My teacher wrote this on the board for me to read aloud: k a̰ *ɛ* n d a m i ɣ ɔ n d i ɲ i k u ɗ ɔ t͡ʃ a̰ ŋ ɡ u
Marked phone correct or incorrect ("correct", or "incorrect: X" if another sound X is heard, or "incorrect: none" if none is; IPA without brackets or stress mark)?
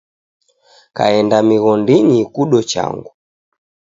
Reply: correct